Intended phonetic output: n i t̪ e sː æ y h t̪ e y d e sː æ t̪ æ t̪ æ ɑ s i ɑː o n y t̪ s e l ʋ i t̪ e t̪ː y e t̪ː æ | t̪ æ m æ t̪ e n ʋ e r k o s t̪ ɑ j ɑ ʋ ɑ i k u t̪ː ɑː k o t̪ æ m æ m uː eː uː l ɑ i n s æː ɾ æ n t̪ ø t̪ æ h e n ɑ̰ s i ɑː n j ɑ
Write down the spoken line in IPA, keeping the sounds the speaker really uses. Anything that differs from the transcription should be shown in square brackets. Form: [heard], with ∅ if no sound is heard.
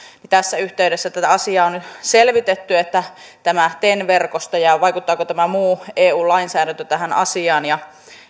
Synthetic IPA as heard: n i t̪ [æ] sː æ y h t̪ e y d e sː æ t̪ æ t̪ æ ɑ s i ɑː o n y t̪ s e l ʋ i t̪ e t̪ː y e t̪ː æ | t̪ æ m æ t̪ e n ʋ e r k o s t̪ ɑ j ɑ ʋ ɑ i k u t̪ː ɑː k o t̪ æ m æ m uː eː uː l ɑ i n s æː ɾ æ n t̪ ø t̪ æ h [æ] n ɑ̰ s i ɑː n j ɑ